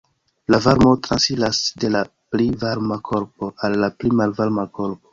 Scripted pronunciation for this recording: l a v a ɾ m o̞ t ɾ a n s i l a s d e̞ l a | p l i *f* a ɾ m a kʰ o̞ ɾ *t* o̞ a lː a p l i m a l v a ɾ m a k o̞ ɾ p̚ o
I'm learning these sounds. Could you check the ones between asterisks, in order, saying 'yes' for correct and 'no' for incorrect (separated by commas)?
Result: no, no